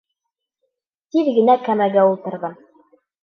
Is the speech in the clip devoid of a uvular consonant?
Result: yes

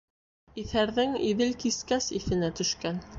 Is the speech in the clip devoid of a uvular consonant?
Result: yes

